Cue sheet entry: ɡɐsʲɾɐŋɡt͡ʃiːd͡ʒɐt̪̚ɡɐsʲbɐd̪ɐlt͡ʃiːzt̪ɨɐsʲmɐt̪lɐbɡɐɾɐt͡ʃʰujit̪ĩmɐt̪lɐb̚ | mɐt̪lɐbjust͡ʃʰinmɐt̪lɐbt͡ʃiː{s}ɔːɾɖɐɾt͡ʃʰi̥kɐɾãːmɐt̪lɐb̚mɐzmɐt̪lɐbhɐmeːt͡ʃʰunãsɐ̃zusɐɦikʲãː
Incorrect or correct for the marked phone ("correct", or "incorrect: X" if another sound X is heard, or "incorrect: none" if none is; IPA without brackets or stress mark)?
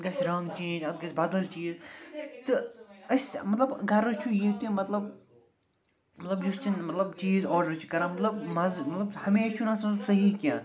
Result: incorrect: z